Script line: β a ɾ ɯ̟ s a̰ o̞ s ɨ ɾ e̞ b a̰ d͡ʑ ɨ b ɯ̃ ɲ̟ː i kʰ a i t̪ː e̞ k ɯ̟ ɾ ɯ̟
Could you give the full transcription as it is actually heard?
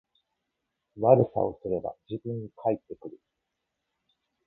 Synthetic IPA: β a ɾ ɯ̟ s a̰ o̞ s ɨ ɾ e̞ b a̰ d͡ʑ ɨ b ɯ̃ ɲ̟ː i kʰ a i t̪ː e̞ k ɯ̟ ɾ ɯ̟